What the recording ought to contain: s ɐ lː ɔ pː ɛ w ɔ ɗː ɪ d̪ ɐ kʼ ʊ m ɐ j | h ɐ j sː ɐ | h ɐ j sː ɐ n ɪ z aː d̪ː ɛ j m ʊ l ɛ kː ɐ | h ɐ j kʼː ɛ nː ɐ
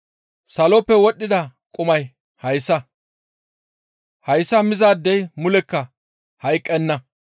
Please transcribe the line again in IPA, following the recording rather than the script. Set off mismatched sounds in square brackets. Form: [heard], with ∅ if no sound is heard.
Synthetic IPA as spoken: s ɐ [l] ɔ pː ɛ w ɔ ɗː ɪ d̪ ɐ kʼ ʊ m ɐ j | h ɐ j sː ɐ | h ɐ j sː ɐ [m] ɪ z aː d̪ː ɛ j m ʊ l ɛ kː ɐ | h ɐ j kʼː ɛ nː ɐ